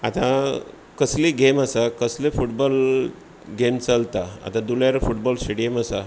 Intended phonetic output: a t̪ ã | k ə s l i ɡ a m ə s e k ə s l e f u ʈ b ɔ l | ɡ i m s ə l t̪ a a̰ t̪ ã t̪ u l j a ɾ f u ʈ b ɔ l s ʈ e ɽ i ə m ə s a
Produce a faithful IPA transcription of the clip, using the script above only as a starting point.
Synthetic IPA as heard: a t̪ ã | k ə s l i ɡ e m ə s a k ə s l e f u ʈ b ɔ l | ɡ e m t͡s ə l t̪ a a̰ t̪ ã d̪ u l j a ɾ f u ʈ b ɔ l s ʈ e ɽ i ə m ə s a